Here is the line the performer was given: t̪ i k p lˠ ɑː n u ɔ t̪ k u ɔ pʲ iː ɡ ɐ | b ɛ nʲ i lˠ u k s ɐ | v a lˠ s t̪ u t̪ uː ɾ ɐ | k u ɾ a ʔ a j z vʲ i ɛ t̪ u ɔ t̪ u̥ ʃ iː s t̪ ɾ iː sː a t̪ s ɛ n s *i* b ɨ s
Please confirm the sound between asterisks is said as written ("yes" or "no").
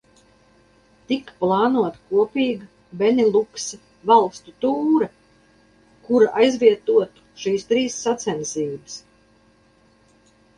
no